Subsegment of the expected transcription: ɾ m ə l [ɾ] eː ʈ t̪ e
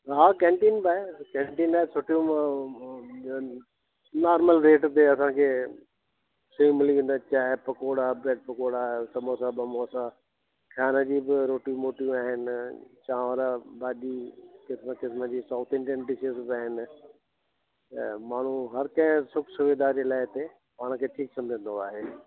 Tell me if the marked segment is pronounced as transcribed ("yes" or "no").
yes